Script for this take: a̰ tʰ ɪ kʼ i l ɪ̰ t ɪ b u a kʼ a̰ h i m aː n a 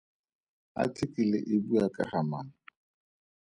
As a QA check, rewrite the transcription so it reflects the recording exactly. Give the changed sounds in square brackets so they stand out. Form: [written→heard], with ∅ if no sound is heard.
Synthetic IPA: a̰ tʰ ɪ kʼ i l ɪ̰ [t→ʔ] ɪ b u a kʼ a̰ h [i→a] m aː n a